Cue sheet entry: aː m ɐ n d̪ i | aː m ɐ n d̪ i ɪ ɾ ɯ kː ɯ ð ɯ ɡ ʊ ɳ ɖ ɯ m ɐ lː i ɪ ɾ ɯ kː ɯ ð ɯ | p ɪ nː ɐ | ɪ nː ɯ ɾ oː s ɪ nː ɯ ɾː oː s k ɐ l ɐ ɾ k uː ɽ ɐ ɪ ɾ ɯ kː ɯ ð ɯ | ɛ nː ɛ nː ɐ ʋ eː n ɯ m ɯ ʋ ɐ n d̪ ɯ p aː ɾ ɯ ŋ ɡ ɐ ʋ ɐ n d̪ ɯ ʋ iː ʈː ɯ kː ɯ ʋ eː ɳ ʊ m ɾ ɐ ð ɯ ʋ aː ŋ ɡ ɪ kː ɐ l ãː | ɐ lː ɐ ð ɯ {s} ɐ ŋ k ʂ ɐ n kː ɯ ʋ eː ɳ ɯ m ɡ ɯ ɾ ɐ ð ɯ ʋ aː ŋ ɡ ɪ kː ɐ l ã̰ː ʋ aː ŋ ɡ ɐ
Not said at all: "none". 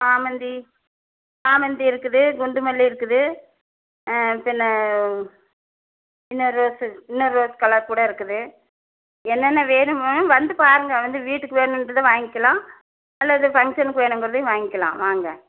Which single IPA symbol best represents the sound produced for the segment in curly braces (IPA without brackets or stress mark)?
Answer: f